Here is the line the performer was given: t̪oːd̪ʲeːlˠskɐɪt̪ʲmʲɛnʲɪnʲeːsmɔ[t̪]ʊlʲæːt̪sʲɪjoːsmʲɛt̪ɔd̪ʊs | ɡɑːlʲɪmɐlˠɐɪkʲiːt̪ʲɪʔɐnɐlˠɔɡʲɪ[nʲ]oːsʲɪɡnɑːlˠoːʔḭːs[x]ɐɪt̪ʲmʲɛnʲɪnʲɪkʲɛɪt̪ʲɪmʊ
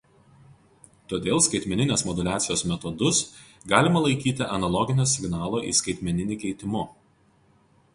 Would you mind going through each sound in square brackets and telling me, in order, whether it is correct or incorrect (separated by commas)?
incorrect, correct, incorrect